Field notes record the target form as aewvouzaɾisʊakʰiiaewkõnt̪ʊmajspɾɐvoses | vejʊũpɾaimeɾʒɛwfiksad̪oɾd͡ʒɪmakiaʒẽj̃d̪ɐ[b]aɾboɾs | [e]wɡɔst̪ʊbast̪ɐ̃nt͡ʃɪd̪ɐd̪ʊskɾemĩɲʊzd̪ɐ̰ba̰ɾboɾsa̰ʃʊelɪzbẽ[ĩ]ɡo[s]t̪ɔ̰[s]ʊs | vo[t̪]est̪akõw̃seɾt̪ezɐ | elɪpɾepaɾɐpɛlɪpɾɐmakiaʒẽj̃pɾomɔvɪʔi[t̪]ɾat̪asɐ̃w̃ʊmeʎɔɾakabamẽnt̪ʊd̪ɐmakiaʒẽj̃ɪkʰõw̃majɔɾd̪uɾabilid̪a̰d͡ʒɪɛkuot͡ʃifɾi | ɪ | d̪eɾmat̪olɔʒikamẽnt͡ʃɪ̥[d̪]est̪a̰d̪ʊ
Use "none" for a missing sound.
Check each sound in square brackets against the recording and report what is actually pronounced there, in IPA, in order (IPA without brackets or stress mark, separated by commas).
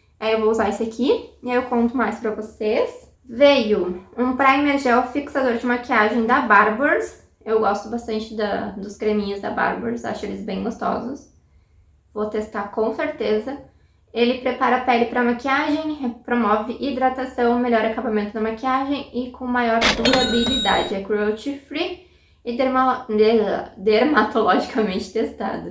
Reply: b, e, j̃, s, z, t̪, d̪, t̪